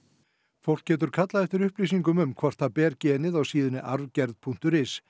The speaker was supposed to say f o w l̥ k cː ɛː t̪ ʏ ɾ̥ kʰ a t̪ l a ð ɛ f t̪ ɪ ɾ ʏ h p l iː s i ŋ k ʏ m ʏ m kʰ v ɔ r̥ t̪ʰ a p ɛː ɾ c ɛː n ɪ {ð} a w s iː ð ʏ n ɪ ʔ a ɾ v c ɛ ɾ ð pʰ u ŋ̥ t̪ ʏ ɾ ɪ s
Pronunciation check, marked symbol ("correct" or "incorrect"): correct